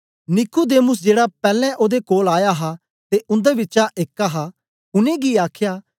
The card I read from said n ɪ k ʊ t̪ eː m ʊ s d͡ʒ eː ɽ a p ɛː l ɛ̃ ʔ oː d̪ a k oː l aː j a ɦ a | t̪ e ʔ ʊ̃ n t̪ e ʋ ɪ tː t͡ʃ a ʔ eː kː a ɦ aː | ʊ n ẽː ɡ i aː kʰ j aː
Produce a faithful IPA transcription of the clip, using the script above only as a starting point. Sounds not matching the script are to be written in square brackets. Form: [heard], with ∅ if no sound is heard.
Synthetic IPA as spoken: n ɪ k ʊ [d̪] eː m ʊ s d͡ʒ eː ɽ a p ɛː l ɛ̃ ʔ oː d̪ [e] k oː l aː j a ɦ a | t̪ e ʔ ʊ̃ n [d̪] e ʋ ɪ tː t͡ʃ a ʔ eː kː a ɦ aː | ʊ n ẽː ɡ i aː kʰ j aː